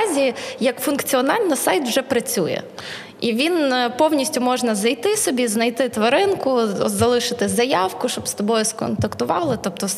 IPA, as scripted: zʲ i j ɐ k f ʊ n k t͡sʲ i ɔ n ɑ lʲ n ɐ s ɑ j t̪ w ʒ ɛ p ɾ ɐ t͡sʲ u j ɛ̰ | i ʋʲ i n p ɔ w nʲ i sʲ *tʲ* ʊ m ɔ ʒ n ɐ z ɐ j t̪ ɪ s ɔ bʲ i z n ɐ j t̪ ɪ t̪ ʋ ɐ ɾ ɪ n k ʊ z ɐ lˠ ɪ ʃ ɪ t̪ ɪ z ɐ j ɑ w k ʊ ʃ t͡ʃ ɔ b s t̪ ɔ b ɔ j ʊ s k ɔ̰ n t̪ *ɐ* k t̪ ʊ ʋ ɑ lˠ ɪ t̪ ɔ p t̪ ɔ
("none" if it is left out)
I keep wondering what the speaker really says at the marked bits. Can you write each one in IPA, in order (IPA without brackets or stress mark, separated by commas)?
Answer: tʲ, ɐ